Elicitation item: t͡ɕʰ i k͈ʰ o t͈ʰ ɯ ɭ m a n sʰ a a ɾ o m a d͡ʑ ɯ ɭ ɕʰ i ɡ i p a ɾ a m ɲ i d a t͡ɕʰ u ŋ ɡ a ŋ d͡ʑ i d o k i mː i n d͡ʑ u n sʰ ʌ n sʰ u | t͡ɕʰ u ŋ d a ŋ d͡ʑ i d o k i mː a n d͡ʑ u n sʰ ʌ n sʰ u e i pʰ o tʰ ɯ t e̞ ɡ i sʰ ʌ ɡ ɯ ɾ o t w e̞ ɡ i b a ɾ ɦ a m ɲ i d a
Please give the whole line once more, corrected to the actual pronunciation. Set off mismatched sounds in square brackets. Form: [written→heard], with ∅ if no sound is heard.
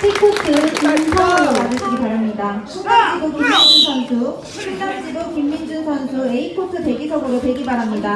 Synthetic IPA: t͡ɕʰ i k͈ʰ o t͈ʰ ɯ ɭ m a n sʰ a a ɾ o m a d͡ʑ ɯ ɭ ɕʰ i ɡ i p a ɾ a m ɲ i d a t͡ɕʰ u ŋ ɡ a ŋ d͡ʑ i d o k i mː i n d͡ʑ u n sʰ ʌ n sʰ u | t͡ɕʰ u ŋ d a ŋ d͡ʑ i d o k i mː [a→i] n d͡ʑ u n sʰ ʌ n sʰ u e i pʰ o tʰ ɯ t e̞ ɡ i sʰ ʌ ɡ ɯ ɾ o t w e̞ ɡ i b a ɾ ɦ a m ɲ i d a